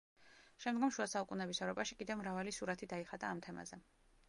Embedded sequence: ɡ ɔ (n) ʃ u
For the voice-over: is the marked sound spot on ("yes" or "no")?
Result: no